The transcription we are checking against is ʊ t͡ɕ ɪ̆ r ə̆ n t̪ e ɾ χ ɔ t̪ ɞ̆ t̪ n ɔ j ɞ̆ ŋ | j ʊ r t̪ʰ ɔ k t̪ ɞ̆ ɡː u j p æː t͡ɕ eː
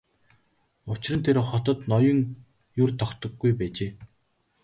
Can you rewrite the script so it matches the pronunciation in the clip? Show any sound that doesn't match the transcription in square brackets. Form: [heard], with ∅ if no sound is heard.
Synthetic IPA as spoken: ʊ t͡ɕ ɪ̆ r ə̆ n [t̪ʰ] e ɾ χ ɔ t̪ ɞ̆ t̪ n ɔ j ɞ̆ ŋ | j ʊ r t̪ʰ ɔ k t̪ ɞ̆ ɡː u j p æː t͡ɕ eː